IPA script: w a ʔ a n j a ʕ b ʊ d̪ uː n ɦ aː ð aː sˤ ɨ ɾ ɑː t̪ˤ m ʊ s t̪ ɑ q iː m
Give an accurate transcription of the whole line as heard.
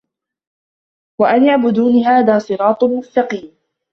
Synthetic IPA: w a ʔ a n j a ʕ b ʊ d̪ uː n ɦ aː ð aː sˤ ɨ ɾ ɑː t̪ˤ m ʊ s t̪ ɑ q iː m